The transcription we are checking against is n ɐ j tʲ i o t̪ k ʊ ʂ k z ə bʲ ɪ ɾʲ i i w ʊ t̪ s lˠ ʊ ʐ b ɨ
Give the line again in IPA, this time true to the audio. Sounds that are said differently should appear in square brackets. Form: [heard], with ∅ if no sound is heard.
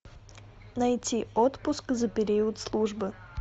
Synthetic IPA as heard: n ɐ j tʲ i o t̪ [p] ʊ [s] k z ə [pʲ] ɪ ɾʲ i i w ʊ t̪ s lˠ [u] ʐ b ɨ